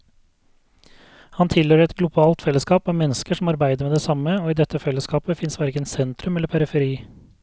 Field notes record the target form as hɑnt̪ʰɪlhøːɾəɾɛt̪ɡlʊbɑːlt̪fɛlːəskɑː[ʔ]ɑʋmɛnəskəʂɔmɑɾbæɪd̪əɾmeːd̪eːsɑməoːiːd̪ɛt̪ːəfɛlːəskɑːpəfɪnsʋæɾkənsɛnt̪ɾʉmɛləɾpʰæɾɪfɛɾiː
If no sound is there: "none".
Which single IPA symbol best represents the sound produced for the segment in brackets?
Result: p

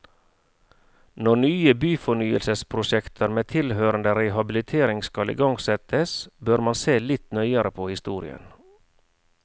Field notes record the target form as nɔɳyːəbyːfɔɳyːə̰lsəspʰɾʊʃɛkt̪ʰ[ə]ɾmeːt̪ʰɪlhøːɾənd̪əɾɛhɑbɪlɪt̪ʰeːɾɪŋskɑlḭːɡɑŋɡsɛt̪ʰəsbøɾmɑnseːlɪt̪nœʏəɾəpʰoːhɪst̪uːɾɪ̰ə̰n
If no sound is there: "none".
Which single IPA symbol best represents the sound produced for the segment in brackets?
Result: ə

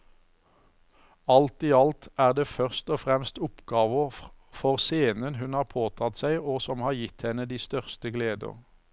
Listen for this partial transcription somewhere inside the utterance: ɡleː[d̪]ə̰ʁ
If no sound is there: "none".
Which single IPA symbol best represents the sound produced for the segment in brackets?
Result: d̪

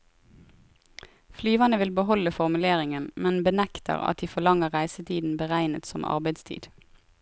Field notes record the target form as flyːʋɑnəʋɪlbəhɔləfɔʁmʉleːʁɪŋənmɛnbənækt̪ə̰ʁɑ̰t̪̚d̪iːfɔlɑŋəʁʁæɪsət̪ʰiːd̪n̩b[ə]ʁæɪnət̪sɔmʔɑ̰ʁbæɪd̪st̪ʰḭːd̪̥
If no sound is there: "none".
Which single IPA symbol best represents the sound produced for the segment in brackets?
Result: ə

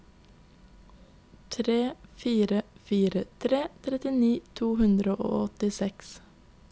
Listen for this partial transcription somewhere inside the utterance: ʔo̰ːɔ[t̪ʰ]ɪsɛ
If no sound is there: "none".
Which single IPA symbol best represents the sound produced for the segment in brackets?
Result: t̪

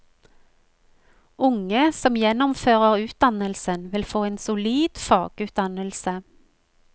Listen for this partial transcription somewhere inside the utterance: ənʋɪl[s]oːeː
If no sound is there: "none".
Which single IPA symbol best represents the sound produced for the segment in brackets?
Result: f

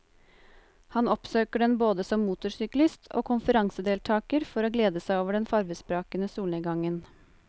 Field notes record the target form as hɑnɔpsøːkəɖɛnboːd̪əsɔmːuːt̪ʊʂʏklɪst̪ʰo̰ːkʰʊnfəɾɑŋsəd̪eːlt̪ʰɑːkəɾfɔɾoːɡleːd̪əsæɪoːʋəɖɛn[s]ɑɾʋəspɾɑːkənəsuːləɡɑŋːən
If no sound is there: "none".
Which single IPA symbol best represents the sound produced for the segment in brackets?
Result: f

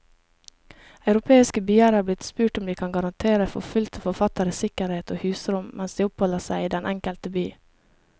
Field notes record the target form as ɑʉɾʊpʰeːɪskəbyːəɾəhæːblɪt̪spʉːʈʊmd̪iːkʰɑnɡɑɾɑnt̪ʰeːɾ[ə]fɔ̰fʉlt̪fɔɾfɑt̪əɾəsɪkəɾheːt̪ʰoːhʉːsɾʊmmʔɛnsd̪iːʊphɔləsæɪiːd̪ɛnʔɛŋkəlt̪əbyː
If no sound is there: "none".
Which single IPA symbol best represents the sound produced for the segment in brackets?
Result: ə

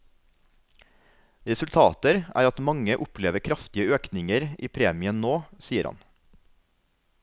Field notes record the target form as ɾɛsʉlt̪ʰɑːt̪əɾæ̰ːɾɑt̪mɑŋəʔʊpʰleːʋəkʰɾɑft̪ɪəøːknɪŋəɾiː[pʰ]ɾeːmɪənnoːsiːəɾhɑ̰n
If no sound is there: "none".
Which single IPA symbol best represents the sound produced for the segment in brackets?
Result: pʰ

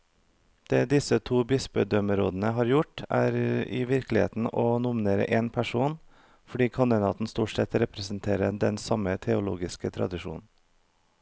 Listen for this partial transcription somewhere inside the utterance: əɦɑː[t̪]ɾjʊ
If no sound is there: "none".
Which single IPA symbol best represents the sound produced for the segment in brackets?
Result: none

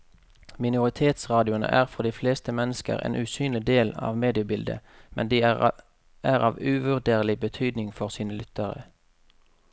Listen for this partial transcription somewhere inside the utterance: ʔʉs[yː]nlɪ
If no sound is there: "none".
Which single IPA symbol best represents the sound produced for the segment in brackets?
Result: yː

